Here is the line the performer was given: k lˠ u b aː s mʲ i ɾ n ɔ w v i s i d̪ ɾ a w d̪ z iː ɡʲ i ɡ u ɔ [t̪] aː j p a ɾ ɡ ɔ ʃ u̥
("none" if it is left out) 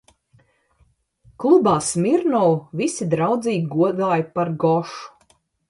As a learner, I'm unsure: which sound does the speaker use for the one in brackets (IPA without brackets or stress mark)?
d̪